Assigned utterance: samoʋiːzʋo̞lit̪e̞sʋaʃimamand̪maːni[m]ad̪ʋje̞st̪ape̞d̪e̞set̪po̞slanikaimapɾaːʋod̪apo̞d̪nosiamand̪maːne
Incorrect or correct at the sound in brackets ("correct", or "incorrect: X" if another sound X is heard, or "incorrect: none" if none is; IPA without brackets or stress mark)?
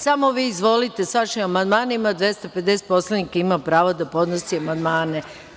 correct